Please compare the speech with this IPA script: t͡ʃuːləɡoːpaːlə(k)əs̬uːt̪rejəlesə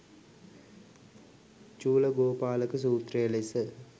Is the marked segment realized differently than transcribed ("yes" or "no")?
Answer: no